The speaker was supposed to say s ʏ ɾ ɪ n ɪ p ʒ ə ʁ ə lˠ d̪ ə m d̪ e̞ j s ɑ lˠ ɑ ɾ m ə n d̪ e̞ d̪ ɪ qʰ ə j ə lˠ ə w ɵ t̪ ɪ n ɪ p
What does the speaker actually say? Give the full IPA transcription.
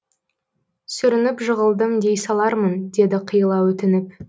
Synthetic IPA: s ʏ ɾ ɪ n ɪ p ʒ ə ʁ ə lˠ d̪ ə m d̪ e̞ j s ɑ lˠ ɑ ɾ m ə n d̪ e̞ d̪ ɪ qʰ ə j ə lˠ ɑ w ɵ t̪ ɪ n ɪ p